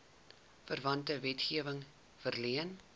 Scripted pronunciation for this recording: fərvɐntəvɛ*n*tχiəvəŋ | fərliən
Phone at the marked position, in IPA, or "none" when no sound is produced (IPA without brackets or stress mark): none